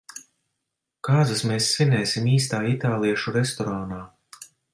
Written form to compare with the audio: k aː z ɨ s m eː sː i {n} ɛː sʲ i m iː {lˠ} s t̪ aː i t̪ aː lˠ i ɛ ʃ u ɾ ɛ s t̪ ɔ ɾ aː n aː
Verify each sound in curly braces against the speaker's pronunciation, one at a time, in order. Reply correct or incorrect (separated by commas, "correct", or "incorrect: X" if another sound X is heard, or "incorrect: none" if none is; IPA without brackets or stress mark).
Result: correct, incorrect: none